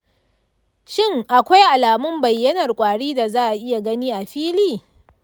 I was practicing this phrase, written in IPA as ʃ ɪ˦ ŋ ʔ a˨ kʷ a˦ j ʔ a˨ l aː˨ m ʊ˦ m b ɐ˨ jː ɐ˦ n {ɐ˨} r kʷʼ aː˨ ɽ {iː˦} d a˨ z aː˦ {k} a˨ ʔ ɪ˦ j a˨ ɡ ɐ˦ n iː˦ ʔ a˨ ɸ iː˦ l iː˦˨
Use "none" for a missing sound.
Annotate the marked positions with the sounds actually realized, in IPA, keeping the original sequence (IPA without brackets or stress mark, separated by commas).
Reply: ɐ˨, iː˦, ʔ